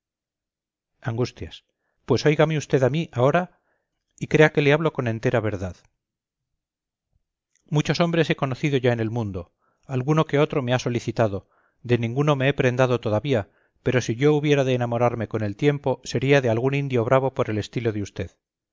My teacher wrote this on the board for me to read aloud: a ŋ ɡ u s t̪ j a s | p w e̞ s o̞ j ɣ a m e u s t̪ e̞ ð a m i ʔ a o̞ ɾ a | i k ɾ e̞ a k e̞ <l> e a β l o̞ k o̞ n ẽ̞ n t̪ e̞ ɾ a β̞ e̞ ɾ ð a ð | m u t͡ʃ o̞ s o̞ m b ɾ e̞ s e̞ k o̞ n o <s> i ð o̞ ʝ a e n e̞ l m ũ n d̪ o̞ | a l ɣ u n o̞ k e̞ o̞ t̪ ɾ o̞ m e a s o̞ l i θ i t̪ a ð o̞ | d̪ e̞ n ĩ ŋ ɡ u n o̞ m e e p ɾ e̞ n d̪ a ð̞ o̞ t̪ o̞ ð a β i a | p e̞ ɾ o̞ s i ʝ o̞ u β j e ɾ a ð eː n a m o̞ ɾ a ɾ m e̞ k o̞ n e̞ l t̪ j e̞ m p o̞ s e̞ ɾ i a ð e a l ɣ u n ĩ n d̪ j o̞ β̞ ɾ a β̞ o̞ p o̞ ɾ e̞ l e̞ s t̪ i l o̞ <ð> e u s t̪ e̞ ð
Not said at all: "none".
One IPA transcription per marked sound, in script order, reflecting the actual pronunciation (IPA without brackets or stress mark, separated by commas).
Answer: l, θ, ð